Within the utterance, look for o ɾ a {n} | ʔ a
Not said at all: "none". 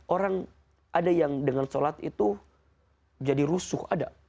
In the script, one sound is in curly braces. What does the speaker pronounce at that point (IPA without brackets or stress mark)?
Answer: ŋ